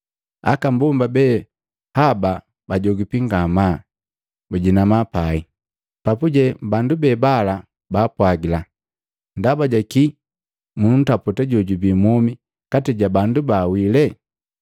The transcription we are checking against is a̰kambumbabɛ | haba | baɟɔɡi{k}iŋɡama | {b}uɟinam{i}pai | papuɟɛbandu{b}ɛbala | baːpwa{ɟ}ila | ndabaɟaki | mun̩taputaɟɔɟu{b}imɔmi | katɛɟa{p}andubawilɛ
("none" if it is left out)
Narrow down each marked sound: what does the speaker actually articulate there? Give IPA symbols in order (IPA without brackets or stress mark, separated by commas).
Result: p, b, a, b, ɡ, b, b